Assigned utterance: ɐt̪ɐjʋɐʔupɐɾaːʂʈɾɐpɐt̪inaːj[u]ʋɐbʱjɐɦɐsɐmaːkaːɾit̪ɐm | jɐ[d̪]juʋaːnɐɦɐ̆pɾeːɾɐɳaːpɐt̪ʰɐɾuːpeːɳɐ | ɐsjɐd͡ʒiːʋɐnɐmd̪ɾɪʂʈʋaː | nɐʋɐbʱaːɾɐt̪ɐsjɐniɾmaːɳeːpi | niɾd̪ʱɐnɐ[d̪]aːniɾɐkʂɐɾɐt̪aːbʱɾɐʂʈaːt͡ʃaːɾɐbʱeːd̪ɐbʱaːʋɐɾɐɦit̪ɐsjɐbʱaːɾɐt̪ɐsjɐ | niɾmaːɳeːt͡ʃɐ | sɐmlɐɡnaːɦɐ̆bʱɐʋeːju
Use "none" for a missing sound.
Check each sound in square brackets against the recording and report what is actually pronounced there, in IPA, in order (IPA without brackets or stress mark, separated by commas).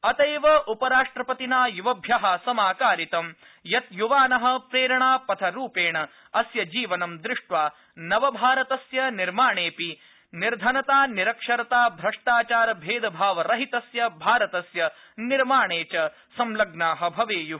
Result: u, t̪, t̪